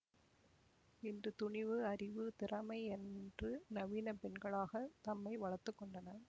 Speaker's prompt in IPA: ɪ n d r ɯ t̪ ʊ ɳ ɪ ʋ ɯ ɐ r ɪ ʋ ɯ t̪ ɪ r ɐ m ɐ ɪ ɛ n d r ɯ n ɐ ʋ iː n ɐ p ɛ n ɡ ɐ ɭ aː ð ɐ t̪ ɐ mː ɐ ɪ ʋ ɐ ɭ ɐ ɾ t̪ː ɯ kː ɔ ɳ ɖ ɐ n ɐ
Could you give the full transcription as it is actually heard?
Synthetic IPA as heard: ɪ n d r ɯ t̪ ʊ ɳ ɪ ʋ ɯ ɐ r ɪ ʋ ɯ t̪ ɪ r ɐ m ɐ ɪ ɛ n d r ɯ n ɐ ʋ iː n ɐ p ɛ n ɡ ɐ ɭ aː ɣ ɐ t̪ ɐ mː ɐ ɪ ʋ ɐ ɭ ɐ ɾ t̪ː ɯ kː ɔ ɳ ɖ ɐ n ɐ